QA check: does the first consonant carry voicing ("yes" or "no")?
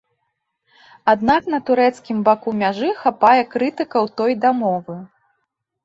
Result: yes